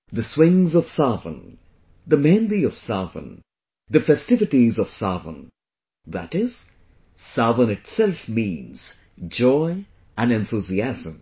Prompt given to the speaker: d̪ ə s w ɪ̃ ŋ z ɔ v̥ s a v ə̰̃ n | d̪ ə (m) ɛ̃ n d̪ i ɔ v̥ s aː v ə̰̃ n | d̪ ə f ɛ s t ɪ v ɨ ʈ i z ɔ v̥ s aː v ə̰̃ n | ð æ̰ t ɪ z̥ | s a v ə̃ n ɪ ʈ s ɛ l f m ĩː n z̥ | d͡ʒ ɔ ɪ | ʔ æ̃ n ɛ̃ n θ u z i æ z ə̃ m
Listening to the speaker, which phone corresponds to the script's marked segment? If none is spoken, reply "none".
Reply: m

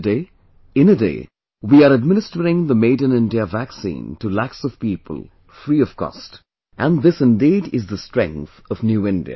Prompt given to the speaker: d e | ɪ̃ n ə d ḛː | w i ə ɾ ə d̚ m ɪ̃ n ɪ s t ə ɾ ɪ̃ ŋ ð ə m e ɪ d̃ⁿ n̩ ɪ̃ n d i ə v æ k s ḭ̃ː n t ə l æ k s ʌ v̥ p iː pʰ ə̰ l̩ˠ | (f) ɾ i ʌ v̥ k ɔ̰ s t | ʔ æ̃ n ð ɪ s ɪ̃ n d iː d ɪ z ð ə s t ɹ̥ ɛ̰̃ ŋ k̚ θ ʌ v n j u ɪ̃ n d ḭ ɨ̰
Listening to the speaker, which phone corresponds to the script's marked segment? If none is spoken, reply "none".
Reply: f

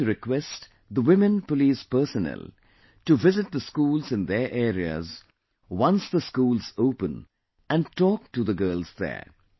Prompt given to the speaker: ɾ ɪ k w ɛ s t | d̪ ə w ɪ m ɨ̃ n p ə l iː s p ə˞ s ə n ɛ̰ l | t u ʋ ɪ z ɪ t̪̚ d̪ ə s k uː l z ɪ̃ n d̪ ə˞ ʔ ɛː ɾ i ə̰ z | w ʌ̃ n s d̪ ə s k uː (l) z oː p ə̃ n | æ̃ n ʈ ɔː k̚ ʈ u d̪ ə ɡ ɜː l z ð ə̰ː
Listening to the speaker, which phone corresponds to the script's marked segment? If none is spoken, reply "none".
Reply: l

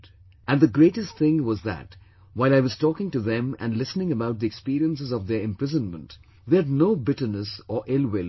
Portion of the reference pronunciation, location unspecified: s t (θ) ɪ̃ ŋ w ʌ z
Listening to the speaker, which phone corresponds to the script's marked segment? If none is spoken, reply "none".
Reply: θ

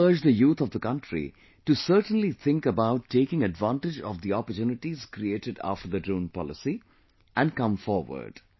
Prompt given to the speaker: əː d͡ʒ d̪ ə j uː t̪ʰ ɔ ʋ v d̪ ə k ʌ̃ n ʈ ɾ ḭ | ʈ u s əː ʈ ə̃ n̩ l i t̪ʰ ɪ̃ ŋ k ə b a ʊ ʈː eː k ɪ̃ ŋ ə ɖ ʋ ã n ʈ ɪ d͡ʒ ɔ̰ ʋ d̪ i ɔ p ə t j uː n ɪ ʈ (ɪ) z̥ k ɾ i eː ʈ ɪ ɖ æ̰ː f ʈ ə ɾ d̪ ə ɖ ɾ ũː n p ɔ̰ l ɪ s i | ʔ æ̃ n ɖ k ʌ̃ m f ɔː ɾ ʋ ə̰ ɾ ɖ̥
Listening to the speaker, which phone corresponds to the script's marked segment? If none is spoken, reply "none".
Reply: i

